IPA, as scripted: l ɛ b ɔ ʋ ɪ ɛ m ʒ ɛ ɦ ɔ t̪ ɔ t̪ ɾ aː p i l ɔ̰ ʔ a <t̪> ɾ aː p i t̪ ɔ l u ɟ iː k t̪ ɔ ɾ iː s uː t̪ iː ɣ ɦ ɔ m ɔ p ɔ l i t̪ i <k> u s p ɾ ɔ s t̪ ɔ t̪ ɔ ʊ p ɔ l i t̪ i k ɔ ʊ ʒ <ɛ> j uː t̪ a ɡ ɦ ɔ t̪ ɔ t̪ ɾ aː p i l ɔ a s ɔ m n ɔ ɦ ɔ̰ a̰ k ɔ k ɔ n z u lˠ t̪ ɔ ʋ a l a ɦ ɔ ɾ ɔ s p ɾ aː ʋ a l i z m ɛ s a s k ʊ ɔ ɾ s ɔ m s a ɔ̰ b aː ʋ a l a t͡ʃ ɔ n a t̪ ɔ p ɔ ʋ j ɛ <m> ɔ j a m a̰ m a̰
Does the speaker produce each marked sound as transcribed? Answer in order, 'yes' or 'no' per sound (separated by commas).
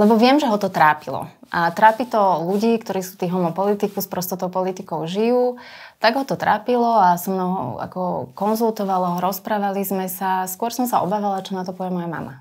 yes, yes, no, yes